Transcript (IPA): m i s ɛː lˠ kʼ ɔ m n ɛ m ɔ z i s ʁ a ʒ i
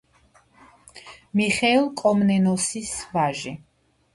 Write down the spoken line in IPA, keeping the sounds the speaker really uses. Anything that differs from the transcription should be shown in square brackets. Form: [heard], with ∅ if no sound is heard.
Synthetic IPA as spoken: m i [χ] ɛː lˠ kʼ ɔ m n ɛ [n] ɔ [s] i s [v] a ʒ i